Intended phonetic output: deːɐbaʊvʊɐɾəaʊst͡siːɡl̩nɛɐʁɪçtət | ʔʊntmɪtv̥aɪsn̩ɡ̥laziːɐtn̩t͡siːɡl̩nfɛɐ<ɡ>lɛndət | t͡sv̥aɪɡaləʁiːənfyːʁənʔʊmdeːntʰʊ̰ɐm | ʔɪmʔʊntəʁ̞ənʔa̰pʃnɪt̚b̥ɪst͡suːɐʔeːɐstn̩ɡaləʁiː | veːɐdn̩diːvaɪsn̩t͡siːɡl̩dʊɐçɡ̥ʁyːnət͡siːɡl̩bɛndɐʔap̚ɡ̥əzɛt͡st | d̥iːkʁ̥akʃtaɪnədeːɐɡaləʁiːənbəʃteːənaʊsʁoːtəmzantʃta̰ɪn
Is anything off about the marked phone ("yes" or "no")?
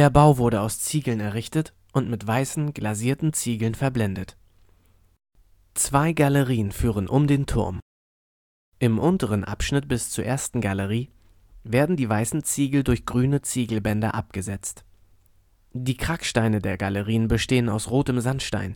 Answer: yes